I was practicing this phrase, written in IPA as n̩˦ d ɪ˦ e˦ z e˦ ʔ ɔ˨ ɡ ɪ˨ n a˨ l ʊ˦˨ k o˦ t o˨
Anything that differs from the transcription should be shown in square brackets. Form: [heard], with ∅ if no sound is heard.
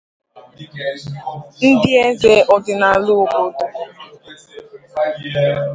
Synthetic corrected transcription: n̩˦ d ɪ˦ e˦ z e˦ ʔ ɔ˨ [d] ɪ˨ n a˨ l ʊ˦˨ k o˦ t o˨